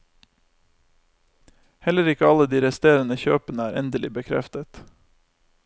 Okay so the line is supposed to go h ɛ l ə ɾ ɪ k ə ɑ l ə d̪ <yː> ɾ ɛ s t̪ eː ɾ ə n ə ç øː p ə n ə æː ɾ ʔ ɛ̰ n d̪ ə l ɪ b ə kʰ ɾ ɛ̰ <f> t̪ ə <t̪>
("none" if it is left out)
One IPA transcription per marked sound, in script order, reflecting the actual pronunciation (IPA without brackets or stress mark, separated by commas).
iː, f, t̪